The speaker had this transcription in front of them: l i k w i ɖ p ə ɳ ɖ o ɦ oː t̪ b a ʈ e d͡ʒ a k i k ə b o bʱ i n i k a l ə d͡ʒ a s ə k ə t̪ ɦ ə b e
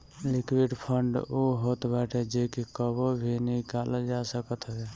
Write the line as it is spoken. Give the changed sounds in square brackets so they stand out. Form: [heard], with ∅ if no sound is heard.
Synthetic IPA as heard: l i k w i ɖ [pʰ] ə ɳ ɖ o ɦ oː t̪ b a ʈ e d͡ʒ [e] k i k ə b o bʱ i n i k a l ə d͡ʒ a s ə k ə t̪ ɦ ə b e

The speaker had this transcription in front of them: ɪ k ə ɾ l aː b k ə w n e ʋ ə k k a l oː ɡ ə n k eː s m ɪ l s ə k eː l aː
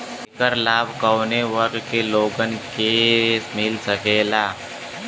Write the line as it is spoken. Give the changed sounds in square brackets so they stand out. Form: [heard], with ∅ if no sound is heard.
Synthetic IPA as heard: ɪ k ə ɾ l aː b k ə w n e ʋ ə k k [e] l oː ɡ ə n k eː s m ɪ l s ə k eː l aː

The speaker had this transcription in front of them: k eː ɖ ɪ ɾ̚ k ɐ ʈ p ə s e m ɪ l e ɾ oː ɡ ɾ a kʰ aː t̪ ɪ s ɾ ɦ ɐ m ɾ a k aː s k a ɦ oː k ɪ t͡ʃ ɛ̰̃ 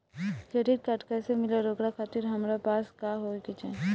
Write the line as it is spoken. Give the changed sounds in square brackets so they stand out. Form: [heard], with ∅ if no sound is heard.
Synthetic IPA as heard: k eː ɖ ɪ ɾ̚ k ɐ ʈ [k] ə s e m ɪ l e ɾ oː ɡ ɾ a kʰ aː t̪ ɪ [∅] ɾ ɦ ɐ m ɾ a [p] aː s k a ɦ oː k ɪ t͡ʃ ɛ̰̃

